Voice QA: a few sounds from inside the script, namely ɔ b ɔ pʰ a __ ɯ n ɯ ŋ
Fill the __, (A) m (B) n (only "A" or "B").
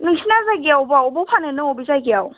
B